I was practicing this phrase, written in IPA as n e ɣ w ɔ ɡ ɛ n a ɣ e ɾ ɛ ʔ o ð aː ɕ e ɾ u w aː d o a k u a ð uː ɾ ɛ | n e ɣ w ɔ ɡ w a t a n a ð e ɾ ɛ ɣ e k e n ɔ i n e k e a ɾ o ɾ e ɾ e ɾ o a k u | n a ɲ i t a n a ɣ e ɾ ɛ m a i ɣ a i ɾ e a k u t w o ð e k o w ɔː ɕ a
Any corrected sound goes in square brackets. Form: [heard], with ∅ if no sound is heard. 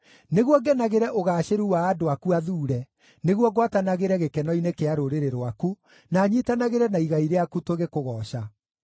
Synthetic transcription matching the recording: n e ɣ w ɔ ɡ ɛ n a ɣ e ɾ ɛ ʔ o [ɣ] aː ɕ e ɾ u w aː d o a k u a ð uː ɾ ɛ | n e ɣ w ɔ ɡ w a t a n a [ɣ] e ɾ ɛ ɣ e k [ɛ] n ɔ i n e k e a ɾ o ɾ e ɾ e ɾ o a k u | n a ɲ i t a n a ɣ e ɾ ɛ [n] a i ɣ a i ɾ e a k u t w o [ɣ] e k o [ɣ] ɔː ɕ a